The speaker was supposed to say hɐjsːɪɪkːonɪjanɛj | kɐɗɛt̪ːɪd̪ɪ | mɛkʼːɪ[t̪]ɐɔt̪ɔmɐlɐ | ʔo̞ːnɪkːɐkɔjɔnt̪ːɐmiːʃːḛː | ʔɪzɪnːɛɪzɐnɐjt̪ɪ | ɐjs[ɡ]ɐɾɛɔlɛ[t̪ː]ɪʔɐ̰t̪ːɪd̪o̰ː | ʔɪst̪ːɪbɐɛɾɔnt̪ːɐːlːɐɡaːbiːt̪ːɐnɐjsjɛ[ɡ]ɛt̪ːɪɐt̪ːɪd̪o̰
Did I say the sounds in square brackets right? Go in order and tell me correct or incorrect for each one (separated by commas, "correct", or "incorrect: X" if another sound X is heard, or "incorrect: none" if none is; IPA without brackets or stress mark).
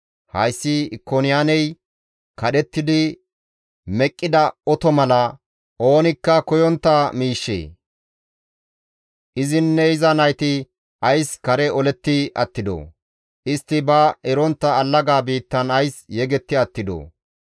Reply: incorrect: d̪, incorrect: k, correct, correct